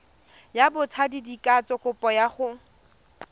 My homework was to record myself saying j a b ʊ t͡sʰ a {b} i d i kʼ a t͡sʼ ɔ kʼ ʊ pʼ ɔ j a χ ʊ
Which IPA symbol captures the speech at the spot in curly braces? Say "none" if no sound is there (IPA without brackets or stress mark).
d